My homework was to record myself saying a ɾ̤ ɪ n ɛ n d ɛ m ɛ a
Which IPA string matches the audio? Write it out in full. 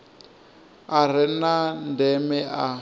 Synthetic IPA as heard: a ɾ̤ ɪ n a n d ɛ m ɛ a